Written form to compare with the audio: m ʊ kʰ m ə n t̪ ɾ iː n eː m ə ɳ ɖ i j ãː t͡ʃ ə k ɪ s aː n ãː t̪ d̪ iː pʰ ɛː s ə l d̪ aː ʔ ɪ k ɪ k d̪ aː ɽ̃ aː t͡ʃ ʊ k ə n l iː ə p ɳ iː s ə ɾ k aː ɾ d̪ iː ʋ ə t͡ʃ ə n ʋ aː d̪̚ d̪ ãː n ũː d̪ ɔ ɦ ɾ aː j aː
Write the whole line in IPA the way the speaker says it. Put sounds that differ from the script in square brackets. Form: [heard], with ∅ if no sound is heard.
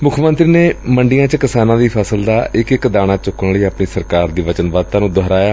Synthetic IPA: m ʊ kʰ m ə n t̪ ɾ iː n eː m ə ɳ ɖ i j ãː t͡ʃ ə k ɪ s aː n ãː [∅] d̪ iː pʰ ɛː s ə l d̪ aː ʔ ɪ k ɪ k d̪ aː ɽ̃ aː t͡ʃ ʊ k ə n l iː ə p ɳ iː s ə ɾ k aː ɾ d̪ iː ʋ ə t͡ʃ ə n ʋ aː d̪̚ [t̪] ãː n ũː d̪ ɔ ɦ ɾ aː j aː

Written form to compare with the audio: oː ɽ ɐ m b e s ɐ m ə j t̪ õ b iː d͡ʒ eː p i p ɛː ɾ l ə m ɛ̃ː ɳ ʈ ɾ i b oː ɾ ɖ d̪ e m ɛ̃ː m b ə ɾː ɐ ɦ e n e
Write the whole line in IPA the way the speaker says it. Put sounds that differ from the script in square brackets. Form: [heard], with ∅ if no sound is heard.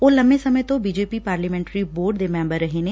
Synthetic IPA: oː [l] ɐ m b e s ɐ m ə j t̪ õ b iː d͡ʒ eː p i p [aː] ɾ l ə m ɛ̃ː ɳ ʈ ɾ i b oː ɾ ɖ d̪ e m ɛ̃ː m b ə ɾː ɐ ɦ e n e

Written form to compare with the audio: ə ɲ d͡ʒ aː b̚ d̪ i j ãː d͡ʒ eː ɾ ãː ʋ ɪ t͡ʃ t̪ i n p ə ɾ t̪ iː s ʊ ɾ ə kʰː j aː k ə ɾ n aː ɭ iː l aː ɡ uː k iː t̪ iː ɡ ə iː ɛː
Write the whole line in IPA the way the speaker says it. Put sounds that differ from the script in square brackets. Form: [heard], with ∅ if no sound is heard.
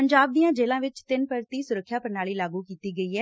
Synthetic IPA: ə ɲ d͡ʒ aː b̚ d̪ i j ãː d͡ʒ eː [l] ãː ʋ ɪ t͡ʃ t̪ [ɪ] n p ə ɾ t̪ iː s ʊ ɾ ə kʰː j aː [p] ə ɾ n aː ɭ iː l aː ɡ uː k iː t̪ iː ɡ ə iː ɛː

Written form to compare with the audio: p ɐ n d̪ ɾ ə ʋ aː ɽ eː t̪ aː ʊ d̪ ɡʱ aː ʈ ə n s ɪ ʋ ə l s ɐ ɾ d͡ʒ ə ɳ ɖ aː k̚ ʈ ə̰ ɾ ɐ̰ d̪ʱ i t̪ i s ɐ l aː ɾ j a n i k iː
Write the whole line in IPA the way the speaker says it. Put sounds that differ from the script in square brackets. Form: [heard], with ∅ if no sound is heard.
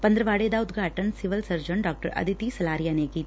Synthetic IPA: p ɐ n d̪ ɾ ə ʋ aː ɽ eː [d̪] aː ʊ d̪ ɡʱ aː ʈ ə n s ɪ ʋ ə l s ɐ ɾ d͡ʒ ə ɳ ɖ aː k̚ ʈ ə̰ ɾ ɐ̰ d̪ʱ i t̪ i s ɐ l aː ɾ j a n [e] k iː

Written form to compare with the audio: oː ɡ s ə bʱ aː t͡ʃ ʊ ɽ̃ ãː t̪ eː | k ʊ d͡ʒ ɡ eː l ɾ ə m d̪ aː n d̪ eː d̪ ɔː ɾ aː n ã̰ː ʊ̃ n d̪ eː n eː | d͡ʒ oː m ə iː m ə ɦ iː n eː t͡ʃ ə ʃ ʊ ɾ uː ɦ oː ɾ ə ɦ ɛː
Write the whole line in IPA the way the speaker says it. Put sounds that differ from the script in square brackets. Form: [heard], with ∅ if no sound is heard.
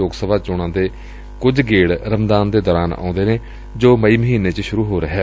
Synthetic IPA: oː ɡ s ə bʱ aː t͡ʃ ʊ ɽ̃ ãː [d̪] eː | k ʊ d͡ʒ ɡ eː [ɽ] ɾ ə m d̪ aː n d̪ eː d̪ ɔː ɾ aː n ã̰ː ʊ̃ n d̪ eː n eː | d͡ʒ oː m ə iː m ə ɦ iː n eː t͡ʃ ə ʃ ʊ ɾ uː ɦ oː ɾ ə ɦ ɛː

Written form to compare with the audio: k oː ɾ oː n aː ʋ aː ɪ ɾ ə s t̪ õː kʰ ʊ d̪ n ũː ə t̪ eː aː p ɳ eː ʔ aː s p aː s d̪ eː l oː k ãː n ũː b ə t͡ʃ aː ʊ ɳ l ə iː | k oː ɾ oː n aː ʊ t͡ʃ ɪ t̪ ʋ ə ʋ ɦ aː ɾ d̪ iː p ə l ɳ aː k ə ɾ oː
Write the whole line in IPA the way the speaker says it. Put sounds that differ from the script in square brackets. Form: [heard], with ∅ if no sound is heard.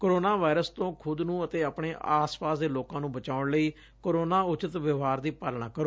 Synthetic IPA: k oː ɾ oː n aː ʋ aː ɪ ɾ ə s t̪ õː kʰ ʊ d̪ n ũː ə t̪ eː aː p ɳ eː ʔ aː s p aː s d̪ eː l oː k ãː n ũː b ə t͡ʃ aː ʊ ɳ l ə iː | k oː ɾ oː n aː ʊ t͡ʃ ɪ t̪ ʋ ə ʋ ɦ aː ɾ d̪ iː p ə l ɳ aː k ə ɾ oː

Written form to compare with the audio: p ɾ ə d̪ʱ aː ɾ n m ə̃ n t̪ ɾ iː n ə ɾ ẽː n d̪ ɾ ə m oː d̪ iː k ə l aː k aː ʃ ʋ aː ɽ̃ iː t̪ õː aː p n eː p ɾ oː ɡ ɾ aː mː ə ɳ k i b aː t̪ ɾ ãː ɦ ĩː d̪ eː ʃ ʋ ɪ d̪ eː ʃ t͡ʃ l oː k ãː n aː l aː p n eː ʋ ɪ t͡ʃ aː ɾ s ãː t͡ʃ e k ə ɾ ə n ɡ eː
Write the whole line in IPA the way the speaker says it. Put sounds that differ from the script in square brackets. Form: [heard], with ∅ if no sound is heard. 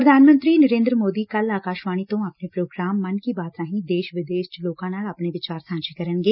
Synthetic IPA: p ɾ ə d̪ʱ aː [∅] n m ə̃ n t̪ ɾ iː n ə ɾ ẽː n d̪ ɾ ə m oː d̪ iː k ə l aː k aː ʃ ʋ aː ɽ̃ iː t̪ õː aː p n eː p ɾ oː ɡ ɾ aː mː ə [n] k i b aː t̪ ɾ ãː ɦ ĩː d̪ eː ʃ ʋ ɪ d̪ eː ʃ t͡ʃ l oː k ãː n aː l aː p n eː ʋ ɪ t͡ʃ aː ɾ s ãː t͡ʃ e k ə ɾ ə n ɡ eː

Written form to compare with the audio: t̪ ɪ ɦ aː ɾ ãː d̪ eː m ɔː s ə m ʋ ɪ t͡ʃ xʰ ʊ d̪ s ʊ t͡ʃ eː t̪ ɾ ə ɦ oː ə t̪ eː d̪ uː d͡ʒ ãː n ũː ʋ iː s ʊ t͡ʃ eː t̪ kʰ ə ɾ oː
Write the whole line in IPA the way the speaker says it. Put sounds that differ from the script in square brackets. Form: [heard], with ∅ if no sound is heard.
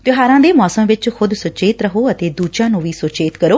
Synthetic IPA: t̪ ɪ ɦ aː ɾ ãː d̪ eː m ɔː s ə m ʋ ɪ t͡ʃ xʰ ʊ d̪ s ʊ t͡ʃ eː t̪ ɾ ə ɦ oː ə t̪ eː d̪ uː d͡ʒ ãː n ũː ʋ iː s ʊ t͡ʃ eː t̪ [k] ə ɾ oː

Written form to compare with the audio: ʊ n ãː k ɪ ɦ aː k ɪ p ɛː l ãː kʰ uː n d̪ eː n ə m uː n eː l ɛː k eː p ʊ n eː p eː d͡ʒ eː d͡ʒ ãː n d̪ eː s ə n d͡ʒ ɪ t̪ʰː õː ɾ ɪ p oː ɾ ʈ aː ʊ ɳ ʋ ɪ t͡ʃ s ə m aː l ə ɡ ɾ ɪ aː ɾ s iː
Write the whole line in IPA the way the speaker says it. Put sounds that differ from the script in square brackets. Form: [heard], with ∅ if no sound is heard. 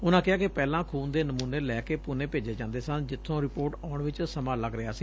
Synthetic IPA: ʊ n ãː k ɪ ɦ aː k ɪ p ɛː l ãː kʰ uː n d̪ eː n ə m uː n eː l ɛː k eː p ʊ n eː p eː d͡ʒ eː d͡ʒ ãː n d̪ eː s ə n d͡ʒ ɪ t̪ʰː õː ɾ ɪ p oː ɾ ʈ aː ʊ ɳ ʋ ɪ t͡ʃ s ə m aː l ə ɡ ɾ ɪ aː [∅] s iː

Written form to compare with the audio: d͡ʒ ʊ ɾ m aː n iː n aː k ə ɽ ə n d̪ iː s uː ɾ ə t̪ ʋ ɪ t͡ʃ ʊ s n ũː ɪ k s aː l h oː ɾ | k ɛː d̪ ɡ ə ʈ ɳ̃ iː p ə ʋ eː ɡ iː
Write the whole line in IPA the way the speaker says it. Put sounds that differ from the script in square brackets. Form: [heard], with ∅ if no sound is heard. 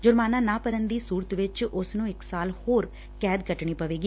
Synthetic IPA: d͡ʒ ʊ ɾ m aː n [aː] n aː [p] ə [ɾ] ə n d̪ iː s uː ɾ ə t̪ ʋ ɪ t͡ʃ ʊ s n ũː ɪ k s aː l h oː ɾ | k ɛː d̪ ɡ ə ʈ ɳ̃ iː p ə ʋ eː ɡ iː

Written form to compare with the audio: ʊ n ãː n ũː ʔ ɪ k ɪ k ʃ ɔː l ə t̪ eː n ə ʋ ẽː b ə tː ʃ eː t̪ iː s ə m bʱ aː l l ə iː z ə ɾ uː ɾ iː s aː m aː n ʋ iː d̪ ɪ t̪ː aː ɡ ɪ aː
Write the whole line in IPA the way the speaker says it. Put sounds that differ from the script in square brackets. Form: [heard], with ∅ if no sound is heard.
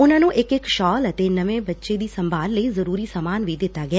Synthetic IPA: ʊ n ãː n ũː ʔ ɪ k ɪ k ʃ ɔː l ə t̪ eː n ə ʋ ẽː b ə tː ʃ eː [d̪] iː s ə m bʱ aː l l ə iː z ə ɾ uː ɾ iː s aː m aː n ʋ iː d̪ ɪ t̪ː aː ɡ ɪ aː

